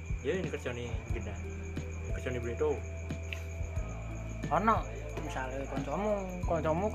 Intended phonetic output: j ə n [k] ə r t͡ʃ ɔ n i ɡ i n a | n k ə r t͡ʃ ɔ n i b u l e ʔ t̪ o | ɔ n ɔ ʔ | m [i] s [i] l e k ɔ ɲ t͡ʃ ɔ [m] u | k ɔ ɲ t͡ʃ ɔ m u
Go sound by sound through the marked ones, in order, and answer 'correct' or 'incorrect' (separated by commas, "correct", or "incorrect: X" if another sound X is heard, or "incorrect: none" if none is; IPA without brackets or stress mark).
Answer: correct, correct, incorrect: a, correct